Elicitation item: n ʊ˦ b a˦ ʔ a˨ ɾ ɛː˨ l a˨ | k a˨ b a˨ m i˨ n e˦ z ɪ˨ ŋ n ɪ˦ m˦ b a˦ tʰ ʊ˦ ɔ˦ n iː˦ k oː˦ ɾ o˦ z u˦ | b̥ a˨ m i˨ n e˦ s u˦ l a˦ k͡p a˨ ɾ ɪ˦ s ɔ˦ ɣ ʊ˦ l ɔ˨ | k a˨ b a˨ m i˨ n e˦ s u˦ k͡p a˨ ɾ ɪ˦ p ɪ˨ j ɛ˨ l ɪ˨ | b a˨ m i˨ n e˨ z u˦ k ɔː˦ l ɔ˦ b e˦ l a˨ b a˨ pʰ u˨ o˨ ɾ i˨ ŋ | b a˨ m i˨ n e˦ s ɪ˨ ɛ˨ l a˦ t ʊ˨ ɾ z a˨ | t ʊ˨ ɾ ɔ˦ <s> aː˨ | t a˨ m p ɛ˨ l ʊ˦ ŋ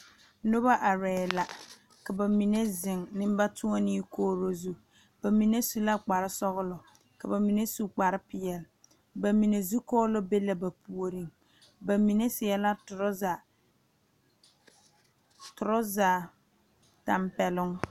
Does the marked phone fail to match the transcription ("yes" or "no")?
yes